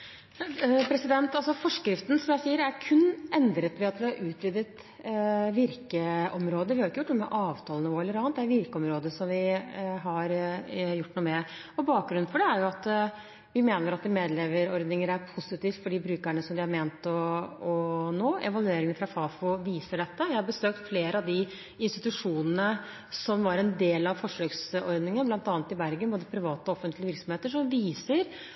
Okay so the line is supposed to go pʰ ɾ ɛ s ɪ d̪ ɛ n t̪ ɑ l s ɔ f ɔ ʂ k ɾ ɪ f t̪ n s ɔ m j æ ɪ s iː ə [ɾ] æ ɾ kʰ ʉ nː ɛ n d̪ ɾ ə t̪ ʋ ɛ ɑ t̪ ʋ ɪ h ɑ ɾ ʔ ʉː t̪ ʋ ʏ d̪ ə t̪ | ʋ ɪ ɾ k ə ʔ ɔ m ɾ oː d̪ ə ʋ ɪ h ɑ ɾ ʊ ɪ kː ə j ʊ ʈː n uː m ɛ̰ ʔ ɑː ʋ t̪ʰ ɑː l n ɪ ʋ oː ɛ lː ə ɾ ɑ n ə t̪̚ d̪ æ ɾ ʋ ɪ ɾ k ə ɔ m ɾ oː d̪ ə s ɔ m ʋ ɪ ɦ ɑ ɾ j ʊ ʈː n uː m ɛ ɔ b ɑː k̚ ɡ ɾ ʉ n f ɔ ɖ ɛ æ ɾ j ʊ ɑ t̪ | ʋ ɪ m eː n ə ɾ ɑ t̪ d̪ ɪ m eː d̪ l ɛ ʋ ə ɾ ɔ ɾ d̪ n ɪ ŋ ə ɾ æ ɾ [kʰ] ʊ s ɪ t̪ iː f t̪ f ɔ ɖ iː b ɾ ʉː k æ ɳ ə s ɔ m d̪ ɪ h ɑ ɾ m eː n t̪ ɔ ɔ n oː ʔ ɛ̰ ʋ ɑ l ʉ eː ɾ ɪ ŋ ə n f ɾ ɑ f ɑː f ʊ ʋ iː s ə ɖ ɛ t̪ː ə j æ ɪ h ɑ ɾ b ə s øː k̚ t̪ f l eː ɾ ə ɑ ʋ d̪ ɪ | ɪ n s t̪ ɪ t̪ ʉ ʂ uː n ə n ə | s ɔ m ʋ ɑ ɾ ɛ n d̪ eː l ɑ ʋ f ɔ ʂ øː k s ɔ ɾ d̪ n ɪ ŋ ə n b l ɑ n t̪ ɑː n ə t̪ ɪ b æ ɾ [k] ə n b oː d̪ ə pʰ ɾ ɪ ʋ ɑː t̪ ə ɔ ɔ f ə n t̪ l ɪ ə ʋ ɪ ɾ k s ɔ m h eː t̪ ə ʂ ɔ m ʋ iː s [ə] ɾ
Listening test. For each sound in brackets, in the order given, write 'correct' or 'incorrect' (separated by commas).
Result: correct, incorrect, incorrect, correct